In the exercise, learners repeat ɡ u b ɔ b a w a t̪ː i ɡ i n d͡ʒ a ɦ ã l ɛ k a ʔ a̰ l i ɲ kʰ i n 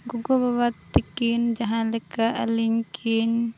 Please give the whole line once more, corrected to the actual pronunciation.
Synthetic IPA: ɡ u ɡ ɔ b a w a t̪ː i k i n d͡ʒ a ɦ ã l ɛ k a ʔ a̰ l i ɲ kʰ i n